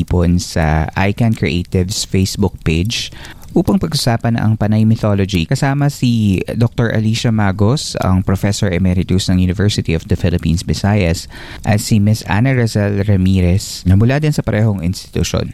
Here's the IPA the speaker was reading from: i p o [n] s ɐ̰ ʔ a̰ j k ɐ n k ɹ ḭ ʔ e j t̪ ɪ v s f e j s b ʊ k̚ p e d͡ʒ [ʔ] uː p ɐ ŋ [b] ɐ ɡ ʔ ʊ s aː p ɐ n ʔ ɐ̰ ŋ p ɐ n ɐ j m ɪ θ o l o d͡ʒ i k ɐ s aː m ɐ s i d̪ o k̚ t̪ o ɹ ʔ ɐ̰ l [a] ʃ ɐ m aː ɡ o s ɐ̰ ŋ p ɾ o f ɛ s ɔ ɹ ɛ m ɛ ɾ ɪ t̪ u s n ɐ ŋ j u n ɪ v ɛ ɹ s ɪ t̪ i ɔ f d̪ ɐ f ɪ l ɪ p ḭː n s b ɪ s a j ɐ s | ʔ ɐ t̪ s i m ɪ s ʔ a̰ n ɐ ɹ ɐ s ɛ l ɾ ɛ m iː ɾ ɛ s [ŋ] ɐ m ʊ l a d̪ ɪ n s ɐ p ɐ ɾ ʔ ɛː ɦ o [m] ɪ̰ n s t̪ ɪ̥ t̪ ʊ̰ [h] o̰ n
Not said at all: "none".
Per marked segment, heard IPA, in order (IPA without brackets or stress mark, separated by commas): n, ʔ, p, i, n, ŋ, ʃ